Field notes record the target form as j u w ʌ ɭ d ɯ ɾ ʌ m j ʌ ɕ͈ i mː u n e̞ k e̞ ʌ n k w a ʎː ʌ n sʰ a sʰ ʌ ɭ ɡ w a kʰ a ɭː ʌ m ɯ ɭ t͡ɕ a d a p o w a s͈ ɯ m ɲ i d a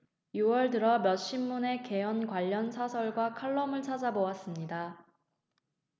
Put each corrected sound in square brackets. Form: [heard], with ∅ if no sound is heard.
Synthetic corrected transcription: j u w ʌ ɭ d ɯ ɾ ʌ m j ʌ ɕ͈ i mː u n e̞ k e̞ ʌ n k w a ʎː ʌ n sʰ a sʰ ʌ ɭ ɡ w a kʰ a ɭː ʌ m ɯ ɭ [t͡ɕʰ] a [d͡ʑ] a [b] o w a s͈ ɯ m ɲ i d a